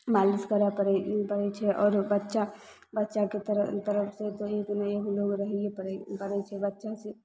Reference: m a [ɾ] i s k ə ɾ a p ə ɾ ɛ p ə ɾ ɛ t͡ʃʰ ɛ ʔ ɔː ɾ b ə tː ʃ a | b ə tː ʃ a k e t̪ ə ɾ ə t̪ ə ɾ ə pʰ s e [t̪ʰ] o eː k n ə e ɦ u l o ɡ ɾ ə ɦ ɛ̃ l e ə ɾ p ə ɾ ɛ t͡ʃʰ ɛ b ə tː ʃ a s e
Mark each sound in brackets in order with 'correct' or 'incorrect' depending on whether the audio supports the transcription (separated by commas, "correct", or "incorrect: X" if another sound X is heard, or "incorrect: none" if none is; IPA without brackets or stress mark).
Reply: incorrect: l, incorrect: t̪